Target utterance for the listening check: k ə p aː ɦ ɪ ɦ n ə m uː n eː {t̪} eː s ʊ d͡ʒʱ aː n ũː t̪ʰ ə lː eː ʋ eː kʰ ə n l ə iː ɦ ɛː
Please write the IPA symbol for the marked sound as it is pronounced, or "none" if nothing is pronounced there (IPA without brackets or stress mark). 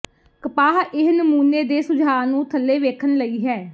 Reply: d̪